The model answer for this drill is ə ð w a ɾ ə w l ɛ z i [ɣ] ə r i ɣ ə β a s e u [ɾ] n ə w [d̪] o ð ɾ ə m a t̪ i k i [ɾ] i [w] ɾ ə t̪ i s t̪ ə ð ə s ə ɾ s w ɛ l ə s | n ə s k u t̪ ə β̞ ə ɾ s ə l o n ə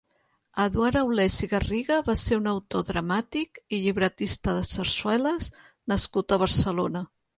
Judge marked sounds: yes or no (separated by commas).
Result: yes, no, no, no, no